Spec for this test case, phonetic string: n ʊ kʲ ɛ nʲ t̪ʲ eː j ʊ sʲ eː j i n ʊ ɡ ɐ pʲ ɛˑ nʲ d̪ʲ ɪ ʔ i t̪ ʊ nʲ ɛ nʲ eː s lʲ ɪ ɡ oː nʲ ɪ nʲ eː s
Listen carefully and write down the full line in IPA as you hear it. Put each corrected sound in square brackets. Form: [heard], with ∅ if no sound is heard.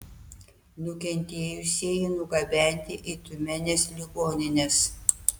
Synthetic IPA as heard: n ʊ kʲ ɛ nʲ t̪ʲ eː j ʊ sʲ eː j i n ʊ ɡ ɐ [bʲ] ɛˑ nʲ [t̪ʲ] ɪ ʔ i t̪ ʊ [mʲ] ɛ nʲ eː s lʲ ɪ ɡ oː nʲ ɪ nʲ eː s